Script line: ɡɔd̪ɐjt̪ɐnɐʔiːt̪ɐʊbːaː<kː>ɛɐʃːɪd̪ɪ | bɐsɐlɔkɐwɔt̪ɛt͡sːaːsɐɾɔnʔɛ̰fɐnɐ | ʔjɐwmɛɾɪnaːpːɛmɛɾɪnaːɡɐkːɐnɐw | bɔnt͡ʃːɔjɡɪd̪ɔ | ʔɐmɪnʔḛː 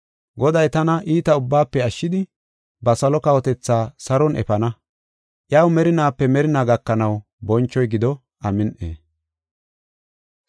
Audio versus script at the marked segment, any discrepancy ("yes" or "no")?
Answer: yes